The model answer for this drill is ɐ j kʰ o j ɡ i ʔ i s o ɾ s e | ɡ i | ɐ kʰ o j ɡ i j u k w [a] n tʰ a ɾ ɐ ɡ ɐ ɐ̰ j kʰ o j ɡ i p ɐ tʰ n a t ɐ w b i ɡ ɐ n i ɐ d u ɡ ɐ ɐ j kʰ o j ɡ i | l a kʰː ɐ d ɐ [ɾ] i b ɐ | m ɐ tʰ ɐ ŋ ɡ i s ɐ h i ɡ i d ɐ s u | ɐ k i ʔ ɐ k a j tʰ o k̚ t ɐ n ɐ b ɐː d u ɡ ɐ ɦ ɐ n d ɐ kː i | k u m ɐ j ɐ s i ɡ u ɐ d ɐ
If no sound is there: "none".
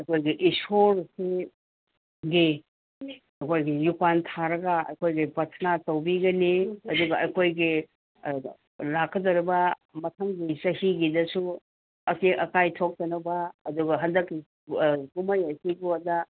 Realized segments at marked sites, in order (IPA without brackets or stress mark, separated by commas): a, ɾ